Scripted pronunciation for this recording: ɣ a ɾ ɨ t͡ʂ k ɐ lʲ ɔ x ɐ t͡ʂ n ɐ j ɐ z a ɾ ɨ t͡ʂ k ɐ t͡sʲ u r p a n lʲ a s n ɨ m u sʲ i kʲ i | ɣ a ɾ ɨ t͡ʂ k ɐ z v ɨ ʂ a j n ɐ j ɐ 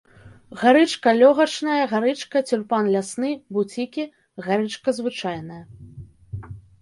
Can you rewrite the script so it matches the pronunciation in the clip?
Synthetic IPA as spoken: ɣ a ɾ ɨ t͡ʂ k ɐ lʲ ɔ ɣ ɐ t͡ʂ n ɐ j ɐ ɣ a ɾ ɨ t͡ʂ k ɐ t͡sʲ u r p a n lʲ a s n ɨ b u t͡sʲ i kʲ i | ɣ a ɾ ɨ t͡ʂ k ɐ z v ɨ t͡ʂ a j n ɐ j ɐ